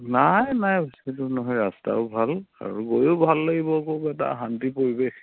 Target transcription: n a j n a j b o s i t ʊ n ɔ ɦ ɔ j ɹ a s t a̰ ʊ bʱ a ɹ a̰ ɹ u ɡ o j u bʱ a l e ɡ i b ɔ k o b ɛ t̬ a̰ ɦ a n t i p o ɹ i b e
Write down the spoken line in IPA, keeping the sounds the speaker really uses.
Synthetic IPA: n a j n a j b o s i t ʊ n ɔ ɦ ɔ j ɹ a s t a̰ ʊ bʱ a l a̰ ɹ u ɡ o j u bʱ a lː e ɡ i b ɔ k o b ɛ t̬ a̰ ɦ a n t i p o ɹ i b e